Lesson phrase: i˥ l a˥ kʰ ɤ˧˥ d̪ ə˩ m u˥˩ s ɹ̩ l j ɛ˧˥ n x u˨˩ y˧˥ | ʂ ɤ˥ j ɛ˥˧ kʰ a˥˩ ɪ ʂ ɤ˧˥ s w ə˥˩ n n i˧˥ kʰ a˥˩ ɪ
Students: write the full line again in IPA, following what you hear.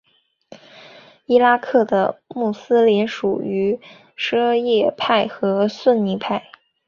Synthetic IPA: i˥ l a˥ kʰ ɤ˥˩ d̪ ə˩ m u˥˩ s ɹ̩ l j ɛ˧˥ n ʂ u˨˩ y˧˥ | ʂ ɤ˥ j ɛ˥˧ pʰ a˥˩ ɪ x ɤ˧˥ s w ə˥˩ n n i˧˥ pʰ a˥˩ ɪ